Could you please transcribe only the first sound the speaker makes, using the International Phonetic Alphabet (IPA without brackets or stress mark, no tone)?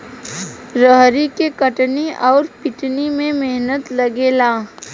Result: ɾ